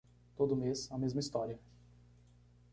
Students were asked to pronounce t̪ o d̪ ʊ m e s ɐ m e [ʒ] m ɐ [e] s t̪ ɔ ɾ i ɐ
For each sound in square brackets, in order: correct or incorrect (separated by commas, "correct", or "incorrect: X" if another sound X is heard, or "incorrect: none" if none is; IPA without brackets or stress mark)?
incorrect: z, incorrect: i